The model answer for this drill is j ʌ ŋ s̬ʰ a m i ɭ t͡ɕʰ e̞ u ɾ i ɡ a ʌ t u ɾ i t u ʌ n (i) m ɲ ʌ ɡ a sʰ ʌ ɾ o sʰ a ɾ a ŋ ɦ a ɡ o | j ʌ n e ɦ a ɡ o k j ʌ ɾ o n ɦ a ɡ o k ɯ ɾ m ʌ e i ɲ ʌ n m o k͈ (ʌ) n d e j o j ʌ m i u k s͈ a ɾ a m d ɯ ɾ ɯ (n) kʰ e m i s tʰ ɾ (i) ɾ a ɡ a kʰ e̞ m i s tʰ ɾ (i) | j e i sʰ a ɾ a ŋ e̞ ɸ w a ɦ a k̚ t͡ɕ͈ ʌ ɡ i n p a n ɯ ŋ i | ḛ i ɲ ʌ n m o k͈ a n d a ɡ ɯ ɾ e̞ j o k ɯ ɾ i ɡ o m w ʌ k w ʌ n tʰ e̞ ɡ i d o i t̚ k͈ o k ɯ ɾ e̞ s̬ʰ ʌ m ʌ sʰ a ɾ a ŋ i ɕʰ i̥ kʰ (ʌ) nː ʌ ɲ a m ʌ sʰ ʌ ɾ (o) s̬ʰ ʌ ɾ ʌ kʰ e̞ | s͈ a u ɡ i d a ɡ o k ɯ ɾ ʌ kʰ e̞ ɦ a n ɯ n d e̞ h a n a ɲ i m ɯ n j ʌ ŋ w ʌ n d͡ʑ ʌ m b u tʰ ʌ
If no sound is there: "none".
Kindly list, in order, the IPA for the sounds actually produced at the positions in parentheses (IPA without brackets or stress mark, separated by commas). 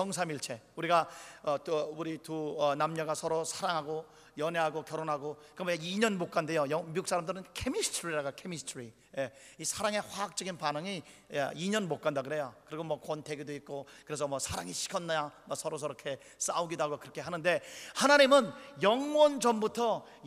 a, a, n, i, i, ʌ, o